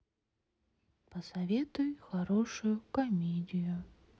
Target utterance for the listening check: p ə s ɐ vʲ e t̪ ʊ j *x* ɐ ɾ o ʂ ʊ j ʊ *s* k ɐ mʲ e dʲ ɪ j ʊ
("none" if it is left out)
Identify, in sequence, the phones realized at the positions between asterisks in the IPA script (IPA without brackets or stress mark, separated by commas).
x, none